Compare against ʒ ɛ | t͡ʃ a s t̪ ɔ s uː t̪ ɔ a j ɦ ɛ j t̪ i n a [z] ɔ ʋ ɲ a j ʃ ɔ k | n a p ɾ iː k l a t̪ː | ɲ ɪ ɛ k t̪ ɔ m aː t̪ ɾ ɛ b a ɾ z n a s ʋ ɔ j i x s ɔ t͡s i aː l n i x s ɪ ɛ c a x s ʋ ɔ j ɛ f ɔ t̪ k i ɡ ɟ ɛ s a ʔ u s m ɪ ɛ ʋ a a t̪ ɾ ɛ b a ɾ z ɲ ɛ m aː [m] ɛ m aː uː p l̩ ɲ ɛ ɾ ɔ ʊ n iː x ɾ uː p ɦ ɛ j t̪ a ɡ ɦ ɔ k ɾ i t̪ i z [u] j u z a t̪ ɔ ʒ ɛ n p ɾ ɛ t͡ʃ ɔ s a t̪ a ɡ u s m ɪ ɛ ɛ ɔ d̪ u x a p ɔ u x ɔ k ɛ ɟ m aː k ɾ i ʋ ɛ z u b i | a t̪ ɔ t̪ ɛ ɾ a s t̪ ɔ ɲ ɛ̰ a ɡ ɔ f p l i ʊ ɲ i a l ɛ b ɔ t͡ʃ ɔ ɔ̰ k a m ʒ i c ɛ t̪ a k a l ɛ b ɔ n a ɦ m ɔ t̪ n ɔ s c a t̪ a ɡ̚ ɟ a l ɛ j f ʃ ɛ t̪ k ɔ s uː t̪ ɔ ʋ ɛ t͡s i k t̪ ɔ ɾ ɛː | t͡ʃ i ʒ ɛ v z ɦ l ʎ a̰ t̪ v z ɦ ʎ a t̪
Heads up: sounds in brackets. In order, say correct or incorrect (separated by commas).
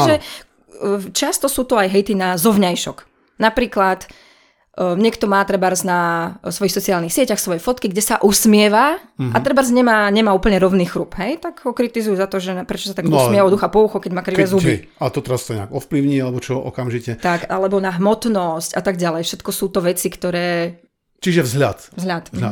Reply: correct, incorrect, correct